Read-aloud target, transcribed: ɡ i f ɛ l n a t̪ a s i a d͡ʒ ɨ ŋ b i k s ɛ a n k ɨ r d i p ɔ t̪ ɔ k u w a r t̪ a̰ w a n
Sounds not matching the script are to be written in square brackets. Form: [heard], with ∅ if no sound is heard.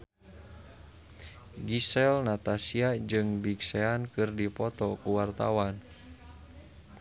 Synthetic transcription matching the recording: ɡ i [s] ɛ l n a t̪ a s i a d͡ʒ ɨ ŋ b i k s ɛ a n k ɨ r d i p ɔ t̪ ɔ k u w a r t̪ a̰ w a n